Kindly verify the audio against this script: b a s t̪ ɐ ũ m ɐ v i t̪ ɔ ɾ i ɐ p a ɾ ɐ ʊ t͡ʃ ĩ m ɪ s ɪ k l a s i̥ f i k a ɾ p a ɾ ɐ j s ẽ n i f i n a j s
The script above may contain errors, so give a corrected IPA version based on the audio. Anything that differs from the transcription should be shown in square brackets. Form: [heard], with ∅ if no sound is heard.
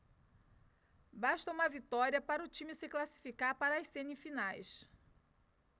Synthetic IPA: b a [ʃ] t̪ ɐ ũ m ɐ v i t̪ ɔ ɾ i ɐ p a ɾ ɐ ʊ t͡ʃ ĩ m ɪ s ɪ k l a s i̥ f i k a ɾ p a ɾ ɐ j s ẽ n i f i n a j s